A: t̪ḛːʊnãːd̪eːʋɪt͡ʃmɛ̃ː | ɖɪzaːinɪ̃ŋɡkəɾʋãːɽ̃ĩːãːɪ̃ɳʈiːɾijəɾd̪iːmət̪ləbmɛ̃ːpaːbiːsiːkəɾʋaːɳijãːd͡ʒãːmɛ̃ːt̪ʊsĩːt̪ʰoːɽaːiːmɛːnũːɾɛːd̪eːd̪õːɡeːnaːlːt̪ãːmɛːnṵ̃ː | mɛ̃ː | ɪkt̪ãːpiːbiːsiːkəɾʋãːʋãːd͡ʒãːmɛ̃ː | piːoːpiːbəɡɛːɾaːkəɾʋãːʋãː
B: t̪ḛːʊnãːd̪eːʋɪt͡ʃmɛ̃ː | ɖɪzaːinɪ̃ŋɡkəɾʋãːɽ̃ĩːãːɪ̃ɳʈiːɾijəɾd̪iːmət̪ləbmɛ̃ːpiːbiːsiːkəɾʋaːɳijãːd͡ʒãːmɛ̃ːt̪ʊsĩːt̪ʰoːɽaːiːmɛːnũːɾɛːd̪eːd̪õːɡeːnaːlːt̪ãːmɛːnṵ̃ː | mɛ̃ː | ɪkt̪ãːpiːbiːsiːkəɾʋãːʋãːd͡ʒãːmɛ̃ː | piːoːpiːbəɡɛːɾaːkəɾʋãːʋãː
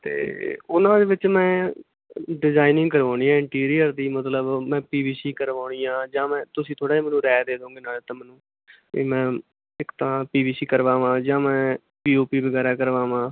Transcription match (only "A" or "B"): B